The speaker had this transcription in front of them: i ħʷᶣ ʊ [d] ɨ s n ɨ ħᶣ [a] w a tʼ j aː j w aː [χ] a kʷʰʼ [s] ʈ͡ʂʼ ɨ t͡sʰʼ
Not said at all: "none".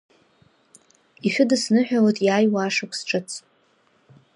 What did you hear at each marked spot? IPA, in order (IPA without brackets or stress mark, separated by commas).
d, a, ʂ, s